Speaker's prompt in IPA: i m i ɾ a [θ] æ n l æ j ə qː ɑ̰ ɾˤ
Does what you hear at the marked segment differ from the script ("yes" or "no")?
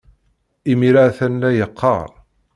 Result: no